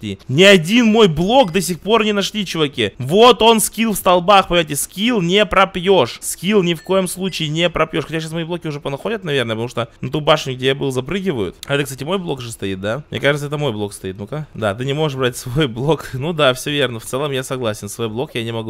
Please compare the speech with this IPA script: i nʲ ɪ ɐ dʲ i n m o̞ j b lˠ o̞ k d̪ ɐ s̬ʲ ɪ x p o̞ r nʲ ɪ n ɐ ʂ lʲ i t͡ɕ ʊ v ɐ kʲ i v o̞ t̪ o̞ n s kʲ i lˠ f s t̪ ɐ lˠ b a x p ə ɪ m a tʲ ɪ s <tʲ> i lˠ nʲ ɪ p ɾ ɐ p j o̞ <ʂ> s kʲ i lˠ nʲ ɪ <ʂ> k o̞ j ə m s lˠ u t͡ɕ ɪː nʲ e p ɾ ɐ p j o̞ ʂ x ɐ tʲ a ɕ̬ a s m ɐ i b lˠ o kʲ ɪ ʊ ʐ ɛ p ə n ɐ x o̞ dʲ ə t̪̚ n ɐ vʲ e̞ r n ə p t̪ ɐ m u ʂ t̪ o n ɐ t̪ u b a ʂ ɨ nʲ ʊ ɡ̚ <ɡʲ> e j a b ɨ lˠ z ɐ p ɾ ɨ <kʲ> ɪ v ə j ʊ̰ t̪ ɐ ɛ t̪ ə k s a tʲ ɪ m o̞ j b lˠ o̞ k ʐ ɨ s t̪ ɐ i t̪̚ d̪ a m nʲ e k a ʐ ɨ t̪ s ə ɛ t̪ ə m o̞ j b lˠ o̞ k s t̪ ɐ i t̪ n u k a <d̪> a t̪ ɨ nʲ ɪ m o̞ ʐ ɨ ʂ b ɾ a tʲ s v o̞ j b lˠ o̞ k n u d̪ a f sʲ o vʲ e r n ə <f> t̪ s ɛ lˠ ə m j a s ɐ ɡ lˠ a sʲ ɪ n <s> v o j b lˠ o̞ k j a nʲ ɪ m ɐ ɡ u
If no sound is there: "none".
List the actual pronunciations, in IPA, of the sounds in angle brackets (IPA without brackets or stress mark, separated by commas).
kʲ, ʂ, f, dʲ, ɡʲ, d̪, f, s